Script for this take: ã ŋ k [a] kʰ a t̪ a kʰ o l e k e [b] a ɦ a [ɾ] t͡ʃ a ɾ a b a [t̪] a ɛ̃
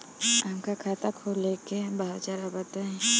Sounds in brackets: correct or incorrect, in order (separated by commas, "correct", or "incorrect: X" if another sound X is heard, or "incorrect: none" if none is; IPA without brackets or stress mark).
correct, correct, incorrect: none, correct